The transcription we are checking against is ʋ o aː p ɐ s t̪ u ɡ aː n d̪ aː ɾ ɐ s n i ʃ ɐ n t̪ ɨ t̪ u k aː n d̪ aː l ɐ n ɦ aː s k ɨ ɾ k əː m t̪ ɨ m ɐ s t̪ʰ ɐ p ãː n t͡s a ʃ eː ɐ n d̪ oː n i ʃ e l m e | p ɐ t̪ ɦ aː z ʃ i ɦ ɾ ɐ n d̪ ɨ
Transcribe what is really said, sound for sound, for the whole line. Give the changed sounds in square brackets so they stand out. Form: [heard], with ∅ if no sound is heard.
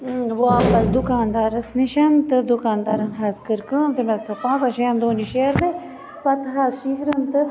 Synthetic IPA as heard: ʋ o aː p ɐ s [d̪] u [k] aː n d̪ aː ɾ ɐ s n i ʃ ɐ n t̪ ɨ [d̪] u k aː n d̪ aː [ɾ] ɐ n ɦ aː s k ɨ ɾ k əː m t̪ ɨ m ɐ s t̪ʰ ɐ p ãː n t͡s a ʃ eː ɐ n d̪ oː n i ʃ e [ɾ] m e | p ɐ t̪ ɦ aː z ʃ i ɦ ɾ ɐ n [t̪] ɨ